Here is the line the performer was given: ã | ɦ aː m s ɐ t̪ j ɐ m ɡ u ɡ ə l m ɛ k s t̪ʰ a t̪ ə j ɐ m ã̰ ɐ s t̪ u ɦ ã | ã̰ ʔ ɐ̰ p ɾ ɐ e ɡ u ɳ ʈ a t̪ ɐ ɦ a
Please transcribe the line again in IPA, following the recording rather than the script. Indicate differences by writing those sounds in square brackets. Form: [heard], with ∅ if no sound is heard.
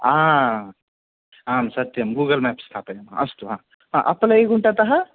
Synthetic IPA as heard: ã | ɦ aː m s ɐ t̪ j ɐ m ɡ u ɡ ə l m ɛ [p] s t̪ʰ a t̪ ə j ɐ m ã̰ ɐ s t̪ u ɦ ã | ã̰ ʔ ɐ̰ p [l] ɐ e ɡ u ɳ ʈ a t̪ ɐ ɦ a